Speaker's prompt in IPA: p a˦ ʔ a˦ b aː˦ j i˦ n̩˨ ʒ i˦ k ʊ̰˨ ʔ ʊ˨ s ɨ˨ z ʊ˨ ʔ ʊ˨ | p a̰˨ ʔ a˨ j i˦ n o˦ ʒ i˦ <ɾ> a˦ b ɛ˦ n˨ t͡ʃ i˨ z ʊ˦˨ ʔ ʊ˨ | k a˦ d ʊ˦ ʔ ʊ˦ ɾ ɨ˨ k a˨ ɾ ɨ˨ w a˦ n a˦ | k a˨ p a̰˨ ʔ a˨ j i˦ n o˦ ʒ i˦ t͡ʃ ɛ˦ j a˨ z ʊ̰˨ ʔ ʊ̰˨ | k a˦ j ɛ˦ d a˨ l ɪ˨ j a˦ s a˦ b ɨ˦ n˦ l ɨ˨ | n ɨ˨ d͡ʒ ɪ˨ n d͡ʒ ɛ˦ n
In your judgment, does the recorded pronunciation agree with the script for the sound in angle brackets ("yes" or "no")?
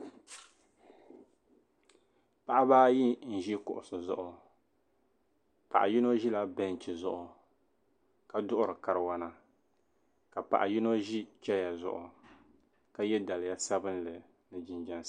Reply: no